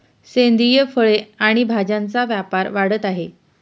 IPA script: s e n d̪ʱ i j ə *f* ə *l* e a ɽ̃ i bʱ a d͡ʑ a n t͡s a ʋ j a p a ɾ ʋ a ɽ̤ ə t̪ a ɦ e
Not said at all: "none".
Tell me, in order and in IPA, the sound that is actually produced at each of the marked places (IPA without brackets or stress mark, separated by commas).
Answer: f, ɭ